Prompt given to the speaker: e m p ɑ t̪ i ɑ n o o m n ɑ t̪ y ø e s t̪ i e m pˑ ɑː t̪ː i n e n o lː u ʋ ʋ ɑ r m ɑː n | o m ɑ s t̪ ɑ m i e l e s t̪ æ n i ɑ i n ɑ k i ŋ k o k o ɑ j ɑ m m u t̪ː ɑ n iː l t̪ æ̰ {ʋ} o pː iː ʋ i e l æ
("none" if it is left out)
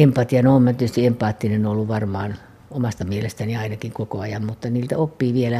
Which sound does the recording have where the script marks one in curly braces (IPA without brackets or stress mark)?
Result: none